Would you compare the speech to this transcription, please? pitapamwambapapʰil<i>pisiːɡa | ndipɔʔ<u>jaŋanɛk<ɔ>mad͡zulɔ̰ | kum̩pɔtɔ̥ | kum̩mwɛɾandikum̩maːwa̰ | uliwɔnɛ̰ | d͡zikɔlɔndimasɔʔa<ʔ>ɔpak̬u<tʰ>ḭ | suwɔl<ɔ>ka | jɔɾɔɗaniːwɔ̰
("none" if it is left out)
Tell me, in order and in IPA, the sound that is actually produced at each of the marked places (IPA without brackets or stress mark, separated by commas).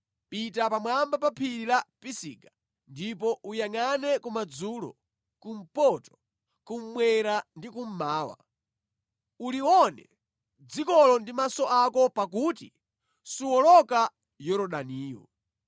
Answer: a, u, u, k, t, ɔ